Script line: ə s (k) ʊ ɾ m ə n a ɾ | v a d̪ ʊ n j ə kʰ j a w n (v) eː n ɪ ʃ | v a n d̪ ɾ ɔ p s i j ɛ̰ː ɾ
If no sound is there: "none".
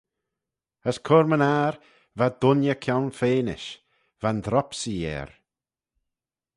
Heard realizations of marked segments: kʰ, f

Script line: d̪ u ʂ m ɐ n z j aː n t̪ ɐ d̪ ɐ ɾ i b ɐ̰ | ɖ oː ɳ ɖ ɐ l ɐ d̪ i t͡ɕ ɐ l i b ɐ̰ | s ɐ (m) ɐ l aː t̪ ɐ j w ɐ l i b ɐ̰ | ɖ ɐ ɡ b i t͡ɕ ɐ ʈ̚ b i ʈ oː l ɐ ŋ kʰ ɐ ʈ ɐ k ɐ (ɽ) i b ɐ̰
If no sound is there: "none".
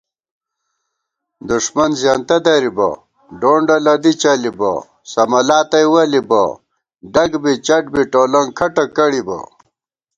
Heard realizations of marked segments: m, ɽ

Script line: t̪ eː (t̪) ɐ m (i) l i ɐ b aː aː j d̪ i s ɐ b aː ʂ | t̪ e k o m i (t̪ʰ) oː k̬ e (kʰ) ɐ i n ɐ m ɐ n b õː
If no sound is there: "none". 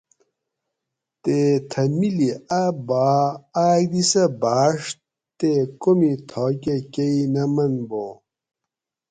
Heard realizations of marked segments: t̪ʰ, i, t̪ʰ, k

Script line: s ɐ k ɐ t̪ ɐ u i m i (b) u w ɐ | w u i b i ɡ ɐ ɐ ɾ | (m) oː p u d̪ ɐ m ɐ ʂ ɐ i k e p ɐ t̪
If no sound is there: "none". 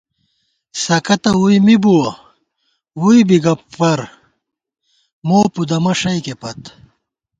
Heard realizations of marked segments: b, m

